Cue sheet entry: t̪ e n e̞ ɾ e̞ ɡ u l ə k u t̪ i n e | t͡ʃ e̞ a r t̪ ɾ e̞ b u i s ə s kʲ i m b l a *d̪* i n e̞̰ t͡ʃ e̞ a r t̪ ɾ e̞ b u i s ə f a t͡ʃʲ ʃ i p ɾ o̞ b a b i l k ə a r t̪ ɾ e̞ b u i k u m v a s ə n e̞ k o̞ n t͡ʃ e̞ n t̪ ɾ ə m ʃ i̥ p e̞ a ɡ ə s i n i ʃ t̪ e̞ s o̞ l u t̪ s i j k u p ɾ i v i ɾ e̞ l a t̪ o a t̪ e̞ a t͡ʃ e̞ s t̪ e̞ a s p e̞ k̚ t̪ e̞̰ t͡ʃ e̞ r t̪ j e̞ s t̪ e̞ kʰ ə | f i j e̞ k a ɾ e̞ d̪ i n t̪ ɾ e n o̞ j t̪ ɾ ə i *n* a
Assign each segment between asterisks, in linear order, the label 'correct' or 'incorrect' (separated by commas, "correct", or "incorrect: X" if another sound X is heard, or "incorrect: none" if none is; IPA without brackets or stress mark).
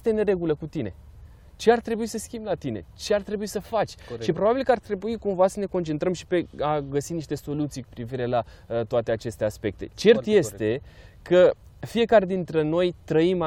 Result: incorrect: t̪, incorrect: m